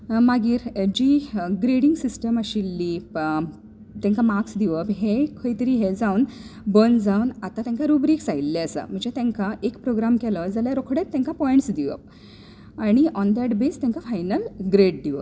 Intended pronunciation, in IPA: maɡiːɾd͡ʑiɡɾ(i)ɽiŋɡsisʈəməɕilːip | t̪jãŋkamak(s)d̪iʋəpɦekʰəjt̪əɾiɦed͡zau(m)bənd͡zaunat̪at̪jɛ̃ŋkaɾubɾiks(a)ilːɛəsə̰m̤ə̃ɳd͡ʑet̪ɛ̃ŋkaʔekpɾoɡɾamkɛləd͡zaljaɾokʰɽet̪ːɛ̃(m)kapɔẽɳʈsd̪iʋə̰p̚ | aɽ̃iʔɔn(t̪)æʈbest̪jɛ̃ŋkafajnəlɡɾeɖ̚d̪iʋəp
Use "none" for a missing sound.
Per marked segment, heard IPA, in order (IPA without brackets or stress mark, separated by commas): e, s, n, a, ŋ, d̪